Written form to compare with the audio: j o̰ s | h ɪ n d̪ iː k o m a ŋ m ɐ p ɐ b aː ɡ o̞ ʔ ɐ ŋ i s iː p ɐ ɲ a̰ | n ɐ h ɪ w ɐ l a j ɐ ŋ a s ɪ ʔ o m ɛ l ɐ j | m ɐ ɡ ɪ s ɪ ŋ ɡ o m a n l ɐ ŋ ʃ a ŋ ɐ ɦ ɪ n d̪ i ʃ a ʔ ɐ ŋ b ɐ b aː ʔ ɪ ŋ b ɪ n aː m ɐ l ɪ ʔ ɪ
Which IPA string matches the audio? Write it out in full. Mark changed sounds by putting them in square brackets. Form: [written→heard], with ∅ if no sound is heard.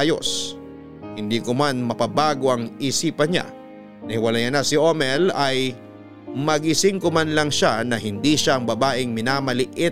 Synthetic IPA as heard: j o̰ s | h ɪ n d̪ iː k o m a [ŋ→n] m ɐ p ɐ b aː ɡ o̞ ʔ ɐ ŋ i s iː p ɐ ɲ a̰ | n ɐ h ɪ w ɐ l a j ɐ [ŋ→n] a s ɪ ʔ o m ɛ l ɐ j | m ɐ ɡ ɪ s ɪ ŋ [ɡ→k] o m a n l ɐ ŋ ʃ a [ŋ→n] ɐ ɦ ɪ n d̪ i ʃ a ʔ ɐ ŋ b ɐ b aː ʔ ɪ ŋ [b→m] ɪ n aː m ɐ l ɪ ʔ ɪ